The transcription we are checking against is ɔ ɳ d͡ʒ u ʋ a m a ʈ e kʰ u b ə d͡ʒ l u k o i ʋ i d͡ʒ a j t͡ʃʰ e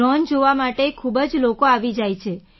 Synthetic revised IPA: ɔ n d͡ʒ o ʋ a m a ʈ e kʰ u b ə d͡ʒ l o k o a ʋ i d͡ʒ a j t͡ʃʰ e